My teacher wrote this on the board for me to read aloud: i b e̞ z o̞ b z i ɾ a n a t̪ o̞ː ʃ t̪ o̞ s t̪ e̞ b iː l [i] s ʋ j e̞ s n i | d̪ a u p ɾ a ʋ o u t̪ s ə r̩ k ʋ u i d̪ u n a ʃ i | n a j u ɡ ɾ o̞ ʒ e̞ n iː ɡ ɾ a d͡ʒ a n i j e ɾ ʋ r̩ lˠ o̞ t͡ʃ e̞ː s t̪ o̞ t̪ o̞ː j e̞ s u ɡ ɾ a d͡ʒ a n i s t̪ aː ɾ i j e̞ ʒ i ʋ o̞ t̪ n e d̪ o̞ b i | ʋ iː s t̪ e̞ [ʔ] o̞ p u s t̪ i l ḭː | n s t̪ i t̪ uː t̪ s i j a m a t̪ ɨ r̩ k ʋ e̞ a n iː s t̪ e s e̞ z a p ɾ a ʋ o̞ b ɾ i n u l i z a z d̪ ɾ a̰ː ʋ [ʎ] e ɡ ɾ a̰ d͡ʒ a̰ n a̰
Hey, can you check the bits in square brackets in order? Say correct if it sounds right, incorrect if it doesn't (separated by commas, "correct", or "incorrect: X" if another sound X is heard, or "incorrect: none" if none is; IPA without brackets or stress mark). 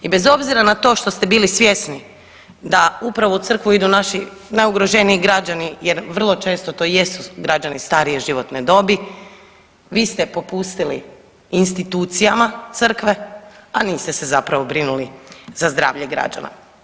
correct, incorrect: p, correct